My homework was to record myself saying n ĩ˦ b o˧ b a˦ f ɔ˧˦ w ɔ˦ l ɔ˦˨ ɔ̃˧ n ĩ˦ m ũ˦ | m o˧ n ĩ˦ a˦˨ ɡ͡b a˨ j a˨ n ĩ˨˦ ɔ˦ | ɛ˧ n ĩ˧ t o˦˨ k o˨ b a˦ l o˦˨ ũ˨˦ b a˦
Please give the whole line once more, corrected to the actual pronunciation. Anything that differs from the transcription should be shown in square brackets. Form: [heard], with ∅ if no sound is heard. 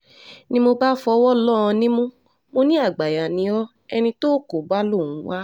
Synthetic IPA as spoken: n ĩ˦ [m] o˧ b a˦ f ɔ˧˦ w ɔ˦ l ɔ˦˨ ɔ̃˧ n ĩ˦ m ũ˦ | m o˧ n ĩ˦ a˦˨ ɡ͡b a˨ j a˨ n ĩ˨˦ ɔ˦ | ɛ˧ n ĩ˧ t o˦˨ k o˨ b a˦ l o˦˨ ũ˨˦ [w] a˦